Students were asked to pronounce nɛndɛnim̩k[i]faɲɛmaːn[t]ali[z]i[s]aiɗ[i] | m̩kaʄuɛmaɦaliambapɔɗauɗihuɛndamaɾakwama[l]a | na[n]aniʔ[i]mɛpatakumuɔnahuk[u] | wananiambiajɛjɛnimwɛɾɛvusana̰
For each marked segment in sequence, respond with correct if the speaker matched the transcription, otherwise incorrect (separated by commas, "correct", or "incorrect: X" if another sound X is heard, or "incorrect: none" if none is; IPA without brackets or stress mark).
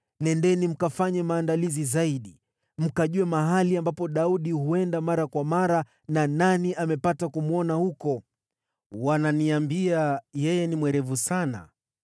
incorrect: a, incorrect: d, correct, incorrect: z, correct, incorrect: ɾ, correct, incorrect: a, incorrect: ɔ